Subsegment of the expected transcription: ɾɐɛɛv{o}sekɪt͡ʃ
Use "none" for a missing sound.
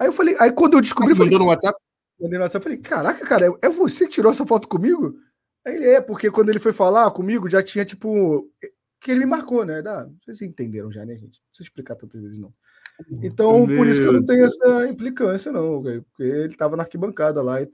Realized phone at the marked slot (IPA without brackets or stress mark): o